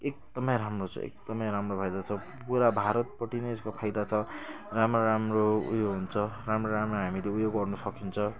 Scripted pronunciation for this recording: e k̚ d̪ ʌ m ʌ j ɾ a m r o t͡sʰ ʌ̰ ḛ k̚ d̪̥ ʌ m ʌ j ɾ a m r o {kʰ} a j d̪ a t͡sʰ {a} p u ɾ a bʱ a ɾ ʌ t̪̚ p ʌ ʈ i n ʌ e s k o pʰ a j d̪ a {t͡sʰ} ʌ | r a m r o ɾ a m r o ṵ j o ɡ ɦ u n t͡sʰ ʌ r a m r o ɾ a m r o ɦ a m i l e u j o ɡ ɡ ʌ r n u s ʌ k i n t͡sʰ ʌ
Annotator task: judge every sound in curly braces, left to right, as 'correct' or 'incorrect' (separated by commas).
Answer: incorrect, incorrect, correct